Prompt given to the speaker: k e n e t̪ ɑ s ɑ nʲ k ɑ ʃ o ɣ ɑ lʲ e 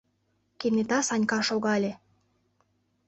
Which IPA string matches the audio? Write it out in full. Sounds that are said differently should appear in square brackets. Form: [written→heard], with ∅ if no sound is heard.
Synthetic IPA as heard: k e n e t̪ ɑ s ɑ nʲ k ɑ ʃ o ɣ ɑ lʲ e